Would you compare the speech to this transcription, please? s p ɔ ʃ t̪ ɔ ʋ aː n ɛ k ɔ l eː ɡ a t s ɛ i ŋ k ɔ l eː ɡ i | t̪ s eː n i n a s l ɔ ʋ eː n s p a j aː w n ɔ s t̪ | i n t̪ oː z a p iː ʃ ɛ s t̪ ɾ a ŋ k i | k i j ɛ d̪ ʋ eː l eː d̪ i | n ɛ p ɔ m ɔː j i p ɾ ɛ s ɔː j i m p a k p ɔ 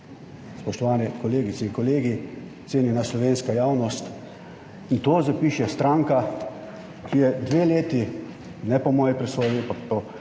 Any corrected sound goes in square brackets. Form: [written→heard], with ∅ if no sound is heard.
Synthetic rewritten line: s p ɔ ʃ t̪ ɔ ʋ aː n ɛ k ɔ l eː ɡ [a→i] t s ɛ i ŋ k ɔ l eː ɡ i | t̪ s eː n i n a s l ɔ ʋ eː n s [p→k] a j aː w n ɔ s t̪ | i n t̪ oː z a p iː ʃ ɛ s t̪ ɾ a ŋ k [i→a] | k i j ɛ d̪ ʋ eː l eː [d̪→t̪] i | n ɛ p ɔ m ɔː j i p ɾ ɛ s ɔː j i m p a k p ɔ